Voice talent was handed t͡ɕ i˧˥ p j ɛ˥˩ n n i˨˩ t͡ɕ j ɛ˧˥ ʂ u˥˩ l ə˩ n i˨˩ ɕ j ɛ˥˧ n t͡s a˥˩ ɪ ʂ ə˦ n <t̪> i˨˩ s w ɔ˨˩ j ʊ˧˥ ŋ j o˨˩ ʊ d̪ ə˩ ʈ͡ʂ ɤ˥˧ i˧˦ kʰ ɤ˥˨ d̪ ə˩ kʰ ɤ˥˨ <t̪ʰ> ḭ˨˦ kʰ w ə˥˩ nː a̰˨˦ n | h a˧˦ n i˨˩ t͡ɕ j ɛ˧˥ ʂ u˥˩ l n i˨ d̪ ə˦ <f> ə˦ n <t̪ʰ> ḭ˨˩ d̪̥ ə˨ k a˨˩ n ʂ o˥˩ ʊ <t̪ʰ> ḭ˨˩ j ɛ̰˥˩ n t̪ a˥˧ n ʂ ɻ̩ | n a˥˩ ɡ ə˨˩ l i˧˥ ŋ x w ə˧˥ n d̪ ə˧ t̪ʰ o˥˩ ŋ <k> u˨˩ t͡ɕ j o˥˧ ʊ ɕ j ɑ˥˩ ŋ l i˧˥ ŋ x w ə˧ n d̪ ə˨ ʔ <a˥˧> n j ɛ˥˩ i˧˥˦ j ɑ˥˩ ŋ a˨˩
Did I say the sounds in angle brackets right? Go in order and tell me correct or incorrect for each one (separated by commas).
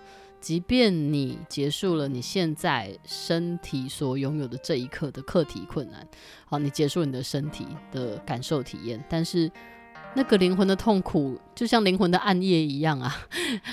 incorrect, correct, incorrect, correct, correct, incorrect, correct